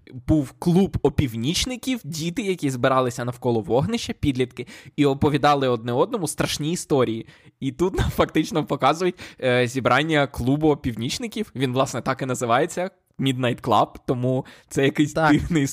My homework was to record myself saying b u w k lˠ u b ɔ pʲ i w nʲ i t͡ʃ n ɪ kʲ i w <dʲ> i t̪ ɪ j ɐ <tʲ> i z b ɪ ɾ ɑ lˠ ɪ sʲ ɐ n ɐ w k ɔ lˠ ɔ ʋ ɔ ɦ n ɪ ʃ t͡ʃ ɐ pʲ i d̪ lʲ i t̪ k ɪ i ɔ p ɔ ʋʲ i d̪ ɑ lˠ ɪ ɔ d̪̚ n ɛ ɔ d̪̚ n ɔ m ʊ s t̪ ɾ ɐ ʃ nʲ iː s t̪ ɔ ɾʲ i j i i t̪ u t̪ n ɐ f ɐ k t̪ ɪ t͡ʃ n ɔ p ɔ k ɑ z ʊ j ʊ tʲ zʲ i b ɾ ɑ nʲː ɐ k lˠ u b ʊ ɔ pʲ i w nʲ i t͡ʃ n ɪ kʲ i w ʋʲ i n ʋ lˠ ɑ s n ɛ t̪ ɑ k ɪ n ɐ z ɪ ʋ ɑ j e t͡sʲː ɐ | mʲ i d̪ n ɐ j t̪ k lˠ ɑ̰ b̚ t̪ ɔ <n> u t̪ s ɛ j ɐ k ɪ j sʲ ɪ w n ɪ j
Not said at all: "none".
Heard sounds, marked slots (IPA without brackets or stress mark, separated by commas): dʲ, kʲ, m